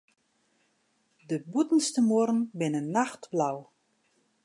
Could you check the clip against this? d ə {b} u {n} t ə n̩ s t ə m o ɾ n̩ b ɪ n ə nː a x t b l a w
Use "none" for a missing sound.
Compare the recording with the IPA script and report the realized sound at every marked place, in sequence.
b, none

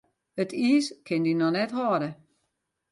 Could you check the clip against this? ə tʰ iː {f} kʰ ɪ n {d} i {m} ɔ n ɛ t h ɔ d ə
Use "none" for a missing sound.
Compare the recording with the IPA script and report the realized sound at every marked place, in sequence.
s, d, n

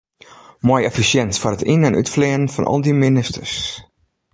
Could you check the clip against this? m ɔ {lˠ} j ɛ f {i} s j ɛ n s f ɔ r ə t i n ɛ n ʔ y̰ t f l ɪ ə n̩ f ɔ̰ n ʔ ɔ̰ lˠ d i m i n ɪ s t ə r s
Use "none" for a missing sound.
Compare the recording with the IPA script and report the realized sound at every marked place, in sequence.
none, i

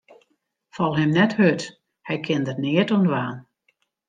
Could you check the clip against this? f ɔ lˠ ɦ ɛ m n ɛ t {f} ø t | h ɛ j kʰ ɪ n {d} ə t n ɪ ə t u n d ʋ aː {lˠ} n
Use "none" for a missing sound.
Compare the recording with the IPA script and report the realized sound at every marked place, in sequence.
h, d, none

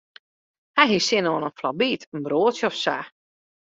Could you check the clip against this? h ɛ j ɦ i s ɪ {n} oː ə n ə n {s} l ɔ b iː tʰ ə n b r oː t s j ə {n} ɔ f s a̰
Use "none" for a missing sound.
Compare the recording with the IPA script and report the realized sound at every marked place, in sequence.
n, f, none

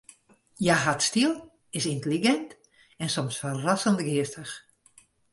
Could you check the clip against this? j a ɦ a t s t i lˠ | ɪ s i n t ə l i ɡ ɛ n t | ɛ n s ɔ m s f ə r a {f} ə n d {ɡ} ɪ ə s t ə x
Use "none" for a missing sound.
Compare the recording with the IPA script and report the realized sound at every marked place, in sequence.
s, ɡ

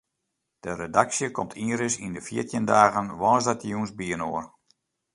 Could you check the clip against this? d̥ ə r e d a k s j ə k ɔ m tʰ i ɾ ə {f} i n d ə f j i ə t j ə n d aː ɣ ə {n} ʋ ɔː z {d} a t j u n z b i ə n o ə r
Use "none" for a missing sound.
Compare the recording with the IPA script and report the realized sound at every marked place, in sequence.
s, n, d

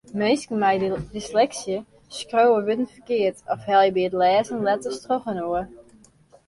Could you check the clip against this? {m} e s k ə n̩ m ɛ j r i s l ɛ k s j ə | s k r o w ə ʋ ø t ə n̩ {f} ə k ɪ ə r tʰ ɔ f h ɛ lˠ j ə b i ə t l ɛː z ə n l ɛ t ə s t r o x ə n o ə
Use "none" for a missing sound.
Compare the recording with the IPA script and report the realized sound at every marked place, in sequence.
m, f

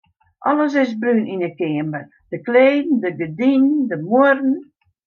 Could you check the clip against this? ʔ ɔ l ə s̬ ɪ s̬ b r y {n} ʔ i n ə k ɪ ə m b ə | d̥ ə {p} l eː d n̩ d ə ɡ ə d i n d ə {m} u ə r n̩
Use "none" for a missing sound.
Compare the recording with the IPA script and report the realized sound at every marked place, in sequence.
n, k, m

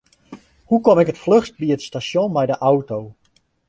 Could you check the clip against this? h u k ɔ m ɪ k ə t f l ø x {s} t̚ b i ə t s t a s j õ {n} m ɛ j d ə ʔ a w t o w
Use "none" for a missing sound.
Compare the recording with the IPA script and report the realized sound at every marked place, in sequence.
s, n

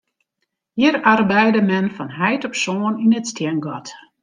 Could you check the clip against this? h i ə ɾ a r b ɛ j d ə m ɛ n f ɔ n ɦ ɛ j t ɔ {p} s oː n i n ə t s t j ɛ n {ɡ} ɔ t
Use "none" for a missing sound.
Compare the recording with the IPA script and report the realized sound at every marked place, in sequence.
p, ɡ

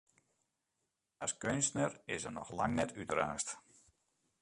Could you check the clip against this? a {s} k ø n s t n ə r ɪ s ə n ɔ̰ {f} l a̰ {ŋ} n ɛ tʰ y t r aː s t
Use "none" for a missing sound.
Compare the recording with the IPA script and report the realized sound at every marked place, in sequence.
s, x, ŋ

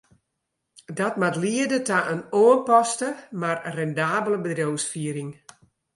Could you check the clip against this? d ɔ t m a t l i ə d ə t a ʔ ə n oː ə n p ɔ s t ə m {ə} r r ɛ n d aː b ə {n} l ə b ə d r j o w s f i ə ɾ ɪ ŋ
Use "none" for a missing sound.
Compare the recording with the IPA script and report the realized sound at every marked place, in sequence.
a, none

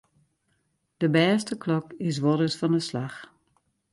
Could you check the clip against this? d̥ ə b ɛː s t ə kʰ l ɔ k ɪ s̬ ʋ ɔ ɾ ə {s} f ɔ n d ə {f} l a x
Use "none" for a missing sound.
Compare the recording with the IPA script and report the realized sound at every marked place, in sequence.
s, s

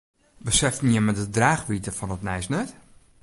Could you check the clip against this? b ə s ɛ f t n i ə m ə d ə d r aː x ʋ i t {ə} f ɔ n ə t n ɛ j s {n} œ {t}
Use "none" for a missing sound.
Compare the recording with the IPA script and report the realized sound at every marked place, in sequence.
ə, n, t

